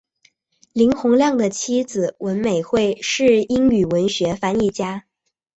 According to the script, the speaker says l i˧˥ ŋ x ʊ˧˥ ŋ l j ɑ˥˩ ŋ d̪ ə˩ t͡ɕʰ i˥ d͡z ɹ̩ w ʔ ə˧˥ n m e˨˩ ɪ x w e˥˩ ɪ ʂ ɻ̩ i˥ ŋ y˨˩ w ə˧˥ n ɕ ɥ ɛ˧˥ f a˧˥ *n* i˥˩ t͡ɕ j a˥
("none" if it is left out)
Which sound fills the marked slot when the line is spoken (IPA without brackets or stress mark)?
n